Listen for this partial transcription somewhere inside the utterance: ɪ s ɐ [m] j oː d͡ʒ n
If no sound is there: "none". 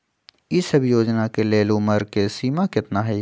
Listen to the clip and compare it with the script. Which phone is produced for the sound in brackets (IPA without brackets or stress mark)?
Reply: b